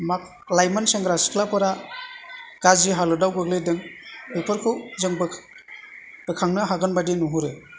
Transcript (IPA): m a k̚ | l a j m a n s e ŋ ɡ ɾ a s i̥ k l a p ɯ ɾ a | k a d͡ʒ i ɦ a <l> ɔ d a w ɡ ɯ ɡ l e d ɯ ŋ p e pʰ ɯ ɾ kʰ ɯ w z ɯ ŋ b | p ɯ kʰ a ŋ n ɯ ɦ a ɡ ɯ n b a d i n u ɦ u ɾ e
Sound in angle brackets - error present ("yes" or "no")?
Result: no